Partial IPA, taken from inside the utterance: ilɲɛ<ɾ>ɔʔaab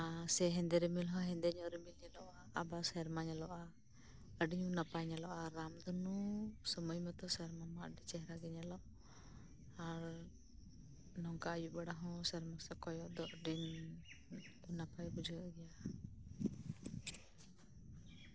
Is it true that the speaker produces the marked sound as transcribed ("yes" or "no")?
no